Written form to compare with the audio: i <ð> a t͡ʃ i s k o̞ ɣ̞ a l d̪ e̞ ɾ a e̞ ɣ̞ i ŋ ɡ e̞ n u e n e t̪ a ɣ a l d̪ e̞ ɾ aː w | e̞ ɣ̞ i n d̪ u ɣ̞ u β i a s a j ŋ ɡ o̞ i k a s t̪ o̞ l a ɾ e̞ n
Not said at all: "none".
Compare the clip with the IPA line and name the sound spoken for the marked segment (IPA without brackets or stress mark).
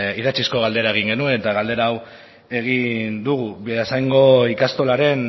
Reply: ð